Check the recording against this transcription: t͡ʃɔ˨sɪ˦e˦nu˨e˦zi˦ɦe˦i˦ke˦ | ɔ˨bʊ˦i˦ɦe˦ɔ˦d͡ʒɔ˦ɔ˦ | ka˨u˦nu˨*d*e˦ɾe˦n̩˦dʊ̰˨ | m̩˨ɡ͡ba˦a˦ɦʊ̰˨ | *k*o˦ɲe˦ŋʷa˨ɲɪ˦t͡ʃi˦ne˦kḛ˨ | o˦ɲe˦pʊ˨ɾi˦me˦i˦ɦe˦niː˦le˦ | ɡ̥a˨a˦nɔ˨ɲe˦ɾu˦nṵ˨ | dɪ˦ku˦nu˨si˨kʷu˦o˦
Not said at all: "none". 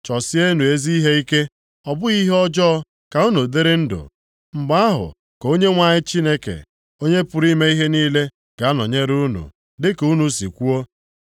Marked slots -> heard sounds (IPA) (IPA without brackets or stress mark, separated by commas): d, k